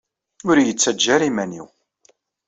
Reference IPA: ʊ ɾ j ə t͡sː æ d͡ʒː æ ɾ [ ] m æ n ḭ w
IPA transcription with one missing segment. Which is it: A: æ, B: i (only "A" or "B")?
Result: B